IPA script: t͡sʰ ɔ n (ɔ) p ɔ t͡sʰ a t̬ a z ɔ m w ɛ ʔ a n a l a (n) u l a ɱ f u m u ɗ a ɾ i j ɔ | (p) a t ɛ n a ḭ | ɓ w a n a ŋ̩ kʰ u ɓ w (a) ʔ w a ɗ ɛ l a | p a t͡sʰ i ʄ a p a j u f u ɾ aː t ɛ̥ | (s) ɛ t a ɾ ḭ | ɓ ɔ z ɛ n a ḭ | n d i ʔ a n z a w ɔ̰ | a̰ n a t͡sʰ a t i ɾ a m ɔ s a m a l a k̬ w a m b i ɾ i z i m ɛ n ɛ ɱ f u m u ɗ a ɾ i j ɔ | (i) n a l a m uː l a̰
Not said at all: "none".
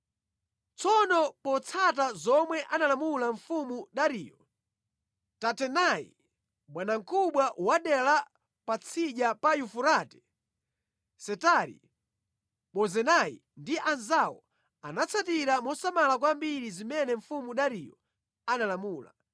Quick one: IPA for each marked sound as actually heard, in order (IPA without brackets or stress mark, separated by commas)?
ɔ, m, t, a, s, a